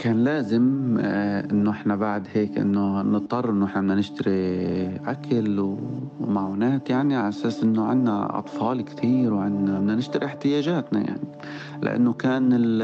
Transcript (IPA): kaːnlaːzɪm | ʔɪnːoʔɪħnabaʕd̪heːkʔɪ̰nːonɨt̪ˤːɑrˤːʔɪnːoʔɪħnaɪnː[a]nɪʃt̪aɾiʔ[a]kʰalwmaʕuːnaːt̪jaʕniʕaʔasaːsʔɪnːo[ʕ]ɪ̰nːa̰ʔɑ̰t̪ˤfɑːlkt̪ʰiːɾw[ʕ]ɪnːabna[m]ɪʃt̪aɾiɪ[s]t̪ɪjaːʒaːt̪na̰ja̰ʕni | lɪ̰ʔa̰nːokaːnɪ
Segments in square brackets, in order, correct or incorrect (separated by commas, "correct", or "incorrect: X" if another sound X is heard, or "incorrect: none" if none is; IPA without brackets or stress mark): correct, correct, correct, correct, incorrect: n, incorrect: ħ